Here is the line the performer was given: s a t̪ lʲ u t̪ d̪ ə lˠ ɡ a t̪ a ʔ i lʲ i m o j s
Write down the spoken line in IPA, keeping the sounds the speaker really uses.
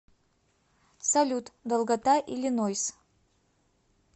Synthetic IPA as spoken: s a lʲ u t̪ d̪ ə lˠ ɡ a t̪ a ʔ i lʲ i n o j s